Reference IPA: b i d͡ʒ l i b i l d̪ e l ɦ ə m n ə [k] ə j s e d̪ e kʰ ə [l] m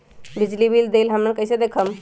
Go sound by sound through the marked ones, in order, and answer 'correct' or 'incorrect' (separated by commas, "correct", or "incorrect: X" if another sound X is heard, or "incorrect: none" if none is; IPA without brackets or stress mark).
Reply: correct, incorrect: none